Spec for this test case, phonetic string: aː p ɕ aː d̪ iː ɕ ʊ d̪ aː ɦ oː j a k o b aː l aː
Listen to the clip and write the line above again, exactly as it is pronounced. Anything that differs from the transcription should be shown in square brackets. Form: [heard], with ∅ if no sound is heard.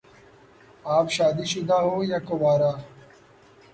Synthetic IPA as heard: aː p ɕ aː d̪ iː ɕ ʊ d̪ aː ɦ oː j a k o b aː [ɾ] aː